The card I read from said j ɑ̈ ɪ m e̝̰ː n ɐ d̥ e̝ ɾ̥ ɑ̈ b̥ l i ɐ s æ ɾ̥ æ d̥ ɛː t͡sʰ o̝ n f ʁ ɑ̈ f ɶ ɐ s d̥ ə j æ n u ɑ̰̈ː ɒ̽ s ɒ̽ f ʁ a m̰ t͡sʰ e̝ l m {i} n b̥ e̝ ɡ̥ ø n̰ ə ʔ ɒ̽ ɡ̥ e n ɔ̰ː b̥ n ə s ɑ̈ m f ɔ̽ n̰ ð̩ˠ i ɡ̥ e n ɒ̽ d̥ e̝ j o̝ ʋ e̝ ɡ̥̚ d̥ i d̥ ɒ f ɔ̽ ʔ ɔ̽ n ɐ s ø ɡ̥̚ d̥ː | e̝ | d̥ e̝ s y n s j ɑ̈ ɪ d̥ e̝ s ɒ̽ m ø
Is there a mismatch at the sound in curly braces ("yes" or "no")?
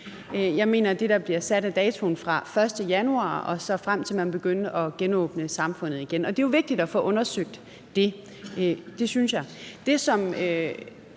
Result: yes